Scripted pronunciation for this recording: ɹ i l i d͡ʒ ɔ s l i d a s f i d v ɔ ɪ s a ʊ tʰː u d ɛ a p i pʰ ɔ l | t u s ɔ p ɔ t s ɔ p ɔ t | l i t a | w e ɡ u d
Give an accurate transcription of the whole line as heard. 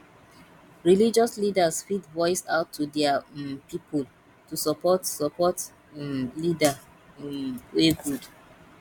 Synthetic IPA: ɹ i l i d͡ʒ ɔ s l i d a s f i d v ɔ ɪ s a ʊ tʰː u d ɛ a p i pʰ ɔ l | t u s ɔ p ɔ t s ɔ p ɔ t | l i d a | w e ɡ u d